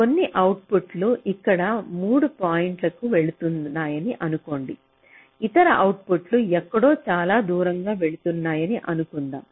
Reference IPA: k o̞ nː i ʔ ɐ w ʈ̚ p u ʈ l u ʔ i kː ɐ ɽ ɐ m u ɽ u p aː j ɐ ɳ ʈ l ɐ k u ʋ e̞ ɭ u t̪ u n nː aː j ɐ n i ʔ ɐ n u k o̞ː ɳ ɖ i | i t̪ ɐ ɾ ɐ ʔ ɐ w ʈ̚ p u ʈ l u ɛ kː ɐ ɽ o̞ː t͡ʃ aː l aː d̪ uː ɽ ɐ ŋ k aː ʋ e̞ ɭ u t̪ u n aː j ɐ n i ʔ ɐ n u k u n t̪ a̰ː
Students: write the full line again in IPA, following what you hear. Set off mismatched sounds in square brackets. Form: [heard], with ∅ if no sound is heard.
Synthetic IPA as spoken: k o̞ nː i ʔ ɐ w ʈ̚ p u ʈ l u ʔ i kː ɐ ɽ ɐ m [uː] ɽ u p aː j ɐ ɳ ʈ l ɐ k u ʋ e̞ ɭ u t̪ u n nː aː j ɐ n i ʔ ɐ n u k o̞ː ɳ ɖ i | i t̪ ɐ ɾ ɐ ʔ ɐ w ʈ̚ p u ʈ l u ɛ kː ɐ ɽ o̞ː t͡ʃ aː l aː d̪ uː [ɾ] ɐ ŋ [ɡ] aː ʋ e̞ ɭ u t̪ u [nː] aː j ɐ n i ʔ ɐ n u k u n [d̪] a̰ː